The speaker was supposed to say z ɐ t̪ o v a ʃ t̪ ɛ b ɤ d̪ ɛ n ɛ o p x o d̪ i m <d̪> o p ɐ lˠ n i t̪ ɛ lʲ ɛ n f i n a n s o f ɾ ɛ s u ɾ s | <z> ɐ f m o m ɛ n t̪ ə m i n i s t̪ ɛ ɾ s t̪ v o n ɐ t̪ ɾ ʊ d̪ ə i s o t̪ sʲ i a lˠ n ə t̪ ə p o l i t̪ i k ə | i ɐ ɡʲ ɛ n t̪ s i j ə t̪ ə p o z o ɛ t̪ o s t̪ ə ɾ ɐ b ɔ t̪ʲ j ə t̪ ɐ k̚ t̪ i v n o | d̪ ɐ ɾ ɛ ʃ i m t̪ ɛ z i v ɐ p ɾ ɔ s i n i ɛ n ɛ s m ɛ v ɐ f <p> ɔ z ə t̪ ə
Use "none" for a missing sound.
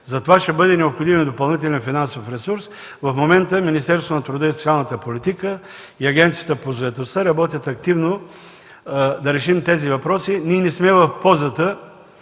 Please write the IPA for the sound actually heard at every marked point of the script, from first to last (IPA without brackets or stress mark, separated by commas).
d̪, v, p